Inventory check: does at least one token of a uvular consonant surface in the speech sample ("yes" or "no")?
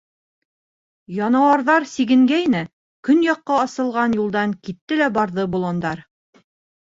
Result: yes